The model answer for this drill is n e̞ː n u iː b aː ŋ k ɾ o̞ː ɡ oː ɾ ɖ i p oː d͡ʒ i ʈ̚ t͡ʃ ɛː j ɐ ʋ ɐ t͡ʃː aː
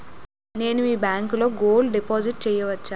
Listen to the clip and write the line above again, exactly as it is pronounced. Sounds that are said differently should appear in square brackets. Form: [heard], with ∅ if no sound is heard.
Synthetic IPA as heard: n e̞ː n u iː b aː ŋ k [l] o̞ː ɡ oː [l] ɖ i p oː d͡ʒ i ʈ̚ t͡ʃ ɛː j ɐ ʋ ɐ t͡ʃː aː